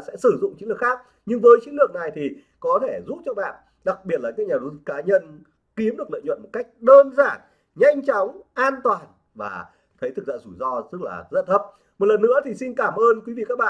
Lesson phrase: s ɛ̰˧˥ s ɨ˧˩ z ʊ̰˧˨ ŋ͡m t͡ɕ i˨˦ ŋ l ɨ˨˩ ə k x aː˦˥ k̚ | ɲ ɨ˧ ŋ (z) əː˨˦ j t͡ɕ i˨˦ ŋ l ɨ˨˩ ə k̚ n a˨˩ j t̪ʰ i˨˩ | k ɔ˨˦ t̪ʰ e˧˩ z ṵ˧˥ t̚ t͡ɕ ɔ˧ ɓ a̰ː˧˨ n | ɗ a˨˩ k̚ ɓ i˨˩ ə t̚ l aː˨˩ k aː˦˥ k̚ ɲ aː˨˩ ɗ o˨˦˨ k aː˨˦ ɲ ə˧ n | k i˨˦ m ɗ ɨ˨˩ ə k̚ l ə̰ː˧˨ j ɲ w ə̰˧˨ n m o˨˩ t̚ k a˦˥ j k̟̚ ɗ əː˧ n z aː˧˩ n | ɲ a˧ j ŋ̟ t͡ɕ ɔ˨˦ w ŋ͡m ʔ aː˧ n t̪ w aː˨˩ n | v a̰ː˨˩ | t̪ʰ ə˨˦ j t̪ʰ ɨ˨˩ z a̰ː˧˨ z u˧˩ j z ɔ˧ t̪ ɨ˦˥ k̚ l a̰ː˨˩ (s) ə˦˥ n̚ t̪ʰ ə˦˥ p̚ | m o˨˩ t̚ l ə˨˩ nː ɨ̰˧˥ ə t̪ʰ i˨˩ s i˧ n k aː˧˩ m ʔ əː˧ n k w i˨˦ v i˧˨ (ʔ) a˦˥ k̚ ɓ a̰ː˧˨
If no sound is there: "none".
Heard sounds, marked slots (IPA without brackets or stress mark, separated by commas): v, z, k